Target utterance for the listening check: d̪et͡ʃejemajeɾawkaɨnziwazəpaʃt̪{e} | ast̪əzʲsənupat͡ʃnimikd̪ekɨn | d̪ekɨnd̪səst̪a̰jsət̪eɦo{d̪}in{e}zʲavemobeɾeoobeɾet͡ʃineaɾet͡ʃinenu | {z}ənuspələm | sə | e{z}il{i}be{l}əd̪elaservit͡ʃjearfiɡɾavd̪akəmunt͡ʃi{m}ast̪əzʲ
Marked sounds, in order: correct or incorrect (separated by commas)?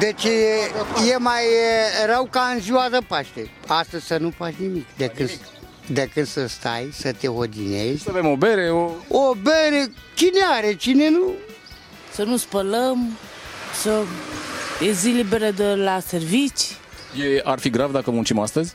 correct, correct, correct, incorrect, correct, correct, incorrect, correct